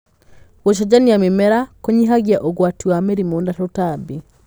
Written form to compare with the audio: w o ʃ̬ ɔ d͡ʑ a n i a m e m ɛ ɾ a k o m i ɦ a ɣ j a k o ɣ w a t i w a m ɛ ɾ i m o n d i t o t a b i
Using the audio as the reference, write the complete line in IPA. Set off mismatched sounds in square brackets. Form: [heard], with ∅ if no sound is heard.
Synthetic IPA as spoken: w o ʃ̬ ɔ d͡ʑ a n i a m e m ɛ ɾ a k o [ɲ] i ɦ a ɣ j a [ʔ] o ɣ w a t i w a m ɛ ɾ i m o n d [a] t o t a b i

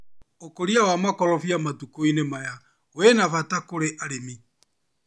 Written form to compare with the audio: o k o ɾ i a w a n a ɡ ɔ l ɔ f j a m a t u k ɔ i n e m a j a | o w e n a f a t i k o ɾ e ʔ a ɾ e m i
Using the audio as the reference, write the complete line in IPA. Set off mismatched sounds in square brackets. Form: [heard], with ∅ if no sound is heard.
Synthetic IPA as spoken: o k o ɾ i a w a [m] a [k] ɔ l ɔ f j a m a t u k [o] i n e m a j a | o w e n a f a t [a] k o ɾ e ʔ a ɾ e m i

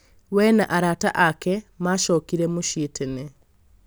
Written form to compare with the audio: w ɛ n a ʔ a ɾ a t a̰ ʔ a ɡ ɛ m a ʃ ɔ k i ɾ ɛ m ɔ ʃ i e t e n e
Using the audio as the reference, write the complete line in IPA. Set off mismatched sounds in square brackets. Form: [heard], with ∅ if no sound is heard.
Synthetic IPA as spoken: w ɛ n a ʔ a ɾ a t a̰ ʔ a [k] ɛ m a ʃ ɔ k i ɾ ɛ m [o] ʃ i e t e n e

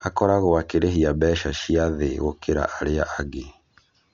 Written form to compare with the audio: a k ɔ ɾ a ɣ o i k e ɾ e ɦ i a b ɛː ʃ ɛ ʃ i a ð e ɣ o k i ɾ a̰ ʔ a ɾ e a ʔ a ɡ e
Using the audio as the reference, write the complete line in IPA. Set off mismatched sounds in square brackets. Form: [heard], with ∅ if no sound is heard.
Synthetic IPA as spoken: a k ɔ ɾ a ɣ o [a] k e ɾ e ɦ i a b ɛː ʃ [a] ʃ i a ð e ɣ o k [e] ɾ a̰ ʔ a ɾ e a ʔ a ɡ e

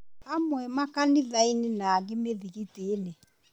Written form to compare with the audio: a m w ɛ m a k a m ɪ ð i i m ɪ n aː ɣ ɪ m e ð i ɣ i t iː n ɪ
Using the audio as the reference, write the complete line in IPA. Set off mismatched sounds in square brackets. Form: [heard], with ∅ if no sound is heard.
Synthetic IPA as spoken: a m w ɛ m a k a [n] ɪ ð [a] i [n] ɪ n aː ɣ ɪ m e ð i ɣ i t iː n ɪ

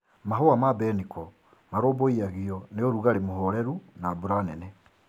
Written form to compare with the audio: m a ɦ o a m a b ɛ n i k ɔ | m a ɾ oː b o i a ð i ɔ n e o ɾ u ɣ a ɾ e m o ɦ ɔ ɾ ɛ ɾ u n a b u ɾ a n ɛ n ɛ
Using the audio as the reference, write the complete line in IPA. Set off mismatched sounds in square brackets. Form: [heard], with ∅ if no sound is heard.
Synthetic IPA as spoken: m a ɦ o a m a b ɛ n i k ɔ | m a ɾ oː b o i a [ɣ] i ɔ n e o ɾ u ɣ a ɾ e m o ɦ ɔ ɾ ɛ ɾ u n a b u ɾ a n ɛ n ɛ

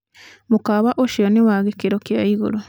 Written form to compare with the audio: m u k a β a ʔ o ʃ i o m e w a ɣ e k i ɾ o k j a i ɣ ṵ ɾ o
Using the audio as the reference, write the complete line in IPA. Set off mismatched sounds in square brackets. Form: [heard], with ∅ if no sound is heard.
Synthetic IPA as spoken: m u k a β a ʔ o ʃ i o [n] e w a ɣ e k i ɾ o k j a i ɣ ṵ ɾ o

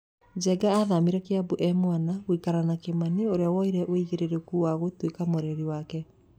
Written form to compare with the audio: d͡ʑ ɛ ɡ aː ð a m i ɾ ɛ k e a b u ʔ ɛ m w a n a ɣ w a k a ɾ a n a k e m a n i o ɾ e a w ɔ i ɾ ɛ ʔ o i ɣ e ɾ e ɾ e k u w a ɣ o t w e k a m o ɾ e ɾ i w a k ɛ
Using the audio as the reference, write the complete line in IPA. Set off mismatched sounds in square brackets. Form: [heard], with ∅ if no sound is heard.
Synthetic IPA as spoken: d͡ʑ ɛ ɡ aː ð a m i ɾ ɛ k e a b u ʔ ɛ m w a n a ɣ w [i] k a ɾ a n a k e m a n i o ɾ e a w ɔ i ɾ ɛ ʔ o i ɣ e ɾ e ɾ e k u w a ɣ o t w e k a m o ɾ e ɾ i w a k ɛ

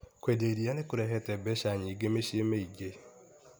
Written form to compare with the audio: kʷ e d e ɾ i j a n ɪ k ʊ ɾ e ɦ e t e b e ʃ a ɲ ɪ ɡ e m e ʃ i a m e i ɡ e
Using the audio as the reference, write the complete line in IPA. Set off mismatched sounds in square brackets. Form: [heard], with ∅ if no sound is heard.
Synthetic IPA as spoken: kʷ e d e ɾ i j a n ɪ k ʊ ɾ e ɦ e t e b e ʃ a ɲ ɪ ɡ e m e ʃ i [e] m e i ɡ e

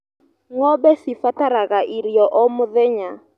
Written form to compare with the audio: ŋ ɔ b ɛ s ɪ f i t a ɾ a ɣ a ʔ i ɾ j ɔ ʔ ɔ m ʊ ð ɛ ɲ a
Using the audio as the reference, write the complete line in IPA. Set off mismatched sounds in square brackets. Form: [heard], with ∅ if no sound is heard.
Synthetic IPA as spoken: ŋ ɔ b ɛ s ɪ f [a] t a ɾ a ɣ a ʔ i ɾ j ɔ ʔ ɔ m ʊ ð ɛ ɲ a

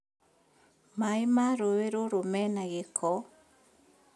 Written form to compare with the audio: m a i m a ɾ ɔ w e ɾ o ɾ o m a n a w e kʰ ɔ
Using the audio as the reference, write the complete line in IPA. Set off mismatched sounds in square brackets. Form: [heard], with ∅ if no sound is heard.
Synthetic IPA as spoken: m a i m a ɾ [o] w e ɾ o ɾ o m [ɛ] n a [ɣ] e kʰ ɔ

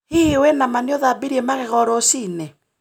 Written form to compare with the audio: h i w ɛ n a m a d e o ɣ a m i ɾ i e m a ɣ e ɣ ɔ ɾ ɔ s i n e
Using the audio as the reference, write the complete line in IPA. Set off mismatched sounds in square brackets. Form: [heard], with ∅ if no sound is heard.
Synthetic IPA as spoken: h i w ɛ n a m a [n] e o [ð] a [b] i ɾ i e m a ɣ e ɣ ɔ ɾ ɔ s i n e

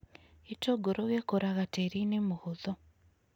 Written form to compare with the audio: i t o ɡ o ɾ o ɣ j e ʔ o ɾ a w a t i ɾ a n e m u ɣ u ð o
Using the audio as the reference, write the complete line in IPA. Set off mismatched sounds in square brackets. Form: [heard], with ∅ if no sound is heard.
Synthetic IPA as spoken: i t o ɡ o ɾ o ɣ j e [k] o ɾ a [ɣ] a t [e] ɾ [i] n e m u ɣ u ð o

